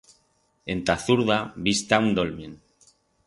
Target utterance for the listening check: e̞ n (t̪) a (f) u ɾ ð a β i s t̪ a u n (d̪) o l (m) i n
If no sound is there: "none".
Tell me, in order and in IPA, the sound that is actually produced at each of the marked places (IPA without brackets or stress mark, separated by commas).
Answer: t̪, θ, d̪, m